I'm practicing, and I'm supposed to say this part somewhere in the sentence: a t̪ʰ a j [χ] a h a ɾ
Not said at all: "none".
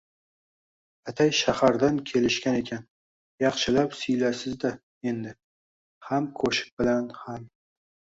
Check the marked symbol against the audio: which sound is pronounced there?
ʃ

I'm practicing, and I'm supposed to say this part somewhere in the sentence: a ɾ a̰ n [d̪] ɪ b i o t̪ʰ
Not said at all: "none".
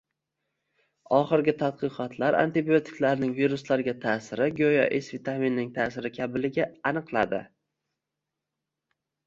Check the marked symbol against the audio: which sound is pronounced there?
t̪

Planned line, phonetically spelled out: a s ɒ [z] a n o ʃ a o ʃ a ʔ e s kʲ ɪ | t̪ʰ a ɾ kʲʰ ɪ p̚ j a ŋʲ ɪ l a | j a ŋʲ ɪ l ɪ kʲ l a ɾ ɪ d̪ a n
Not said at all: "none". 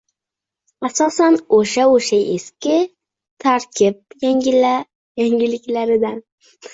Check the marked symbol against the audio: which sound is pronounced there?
s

